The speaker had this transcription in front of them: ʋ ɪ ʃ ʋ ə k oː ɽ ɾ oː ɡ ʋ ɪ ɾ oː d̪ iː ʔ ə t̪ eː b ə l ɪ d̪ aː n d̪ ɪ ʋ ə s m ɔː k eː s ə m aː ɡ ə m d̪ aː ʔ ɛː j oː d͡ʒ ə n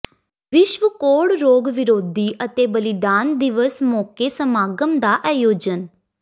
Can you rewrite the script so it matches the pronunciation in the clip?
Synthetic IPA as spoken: ʋ ɪ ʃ ʋ ə k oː ɽ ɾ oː ɡ ʋ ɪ ɾ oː d̪ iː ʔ ə t̪ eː b ə l ɪ d̪ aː n d̪ ɪ ʋ ə s m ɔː k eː s ə m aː ɡ ə m d̪ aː ʔ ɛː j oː d͡ʒ ə n